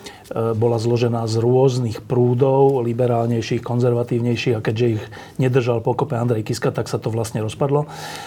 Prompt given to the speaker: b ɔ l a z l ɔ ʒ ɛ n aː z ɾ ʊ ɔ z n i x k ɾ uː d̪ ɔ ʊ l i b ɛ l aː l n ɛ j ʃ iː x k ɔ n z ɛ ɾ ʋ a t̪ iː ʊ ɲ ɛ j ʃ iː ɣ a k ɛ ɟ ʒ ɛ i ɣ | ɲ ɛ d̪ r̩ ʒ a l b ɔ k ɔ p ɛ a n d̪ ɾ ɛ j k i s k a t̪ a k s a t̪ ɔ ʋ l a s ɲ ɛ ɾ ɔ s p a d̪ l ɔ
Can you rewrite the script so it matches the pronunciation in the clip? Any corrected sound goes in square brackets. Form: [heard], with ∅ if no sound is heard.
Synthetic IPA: b ɔ l a z l ɔ ʒ ɛ n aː z ɾ ʊ ɔ z n i x [p] ɾ uː d̪ ɔ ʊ l i b ɛ [ɾ] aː l [ɲ] ɛ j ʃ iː x k ɔ n z ɛ ɾ ʋ a t̪ iː ʊ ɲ ɛ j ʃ iː ɣ a k ɛ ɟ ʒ ɛ i ɣ | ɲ ɛ d̪ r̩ ʒ a l [p] ɔ k ɔ p ɛ a n d̪ ɾ ɛ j k i s k a t̪ a k s a t̪ ɔ ʋ l a s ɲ ɛ ɾ ɔ s p a d̪ l ɔ